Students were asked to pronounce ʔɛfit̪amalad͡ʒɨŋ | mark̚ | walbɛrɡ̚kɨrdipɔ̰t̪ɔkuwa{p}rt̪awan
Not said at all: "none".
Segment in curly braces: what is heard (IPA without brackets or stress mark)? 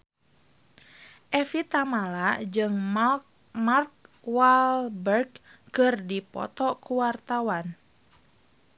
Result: none